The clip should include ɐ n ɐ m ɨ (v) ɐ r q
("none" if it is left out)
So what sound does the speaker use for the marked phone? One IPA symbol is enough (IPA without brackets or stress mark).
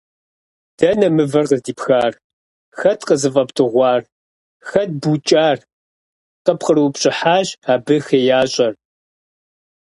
v